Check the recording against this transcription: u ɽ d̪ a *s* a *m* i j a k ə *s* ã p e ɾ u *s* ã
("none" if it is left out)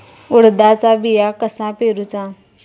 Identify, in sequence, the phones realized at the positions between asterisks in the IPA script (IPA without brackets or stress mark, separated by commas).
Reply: t͡s, b, s, t͡s